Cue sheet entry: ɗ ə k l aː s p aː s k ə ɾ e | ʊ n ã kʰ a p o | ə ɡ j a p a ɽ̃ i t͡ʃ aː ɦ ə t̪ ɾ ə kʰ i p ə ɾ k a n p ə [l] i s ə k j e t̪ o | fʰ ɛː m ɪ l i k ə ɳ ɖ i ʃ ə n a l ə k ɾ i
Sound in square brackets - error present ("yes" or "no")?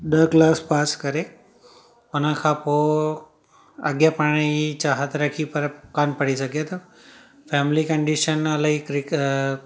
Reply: yes